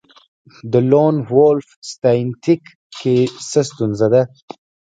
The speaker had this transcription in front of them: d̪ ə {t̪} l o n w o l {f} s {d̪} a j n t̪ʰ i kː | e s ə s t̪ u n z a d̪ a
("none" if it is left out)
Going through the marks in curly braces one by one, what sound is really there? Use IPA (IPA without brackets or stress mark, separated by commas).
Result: none, f, t̪